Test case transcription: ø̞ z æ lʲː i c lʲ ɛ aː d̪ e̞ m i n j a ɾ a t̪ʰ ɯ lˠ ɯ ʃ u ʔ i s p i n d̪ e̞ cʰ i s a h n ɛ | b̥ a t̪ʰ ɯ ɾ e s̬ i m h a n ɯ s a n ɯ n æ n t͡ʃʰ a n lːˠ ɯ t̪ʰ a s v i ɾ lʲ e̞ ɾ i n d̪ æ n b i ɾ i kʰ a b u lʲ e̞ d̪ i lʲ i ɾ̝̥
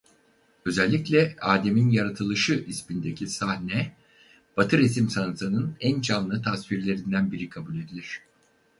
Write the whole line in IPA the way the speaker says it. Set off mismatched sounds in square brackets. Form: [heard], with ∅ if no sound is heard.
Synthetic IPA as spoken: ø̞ z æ lʲː i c lʲ ɛ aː d̪ e̞ m i n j a ɾ a t̪ʰ ɯ lˠ ɯ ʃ [ɯ] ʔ i s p i n d̪ e̞ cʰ i s a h n ɛ | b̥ a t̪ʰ ɯ ɾ e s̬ i m [s] a n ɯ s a n ɯ n æ n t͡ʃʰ a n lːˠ ɯ t̪ʰ a s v i ɾ lʲ e̞ ɾ i n d̪ æ n b i ɾ i kʰ a b u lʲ e̞ d̪ i lʲ i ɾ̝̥